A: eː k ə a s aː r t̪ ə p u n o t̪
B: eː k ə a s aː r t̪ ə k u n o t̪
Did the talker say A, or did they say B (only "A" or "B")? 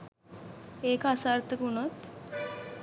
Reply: B